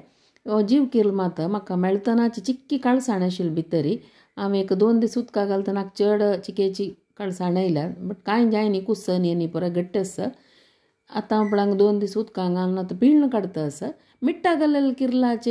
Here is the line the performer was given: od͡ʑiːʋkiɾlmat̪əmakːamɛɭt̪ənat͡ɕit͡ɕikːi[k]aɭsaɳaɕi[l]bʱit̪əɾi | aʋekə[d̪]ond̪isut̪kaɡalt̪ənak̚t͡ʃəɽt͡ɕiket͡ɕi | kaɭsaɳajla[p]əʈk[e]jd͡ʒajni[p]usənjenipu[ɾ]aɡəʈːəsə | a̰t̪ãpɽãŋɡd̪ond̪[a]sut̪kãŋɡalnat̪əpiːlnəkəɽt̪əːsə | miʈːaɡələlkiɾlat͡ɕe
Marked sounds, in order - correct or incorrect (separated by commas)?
correct, correct, correct, incorrect, incorrect, incorrect, correct, incorrect